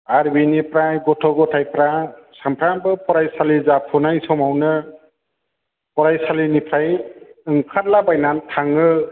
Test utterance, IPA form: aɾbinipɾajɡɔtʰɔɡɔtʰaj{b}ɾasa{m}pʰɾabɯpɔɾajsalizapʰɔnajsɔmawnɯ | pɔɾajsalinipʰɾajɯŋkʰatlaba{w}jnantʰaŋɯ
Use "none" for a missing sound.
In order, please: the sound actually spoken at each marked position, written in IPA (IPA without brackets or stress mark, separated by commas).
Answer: p, m, none